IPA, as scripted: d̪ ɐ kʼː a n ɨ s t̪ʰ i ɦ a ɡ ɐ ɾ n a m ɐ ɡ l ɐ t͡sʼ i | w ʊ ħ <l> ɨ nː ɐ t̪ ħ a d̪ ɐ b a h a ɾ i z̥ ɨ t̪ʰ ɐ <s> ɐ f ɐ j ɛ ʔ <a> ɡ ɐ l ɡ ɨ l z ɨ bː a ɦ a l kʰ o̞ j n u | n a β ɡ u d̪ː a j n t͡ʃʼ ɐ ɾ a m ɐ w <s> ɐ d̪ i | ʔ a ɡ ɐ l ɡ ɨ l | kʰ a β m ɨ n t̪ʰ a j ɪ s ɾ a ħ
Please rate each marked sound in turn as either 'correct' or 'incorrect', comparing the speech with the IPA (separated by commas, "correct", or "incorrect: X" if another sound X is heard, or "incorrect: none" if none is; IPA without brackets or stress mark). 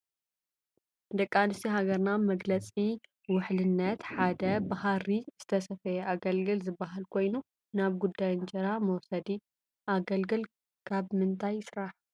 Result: correct, correct, correct, correct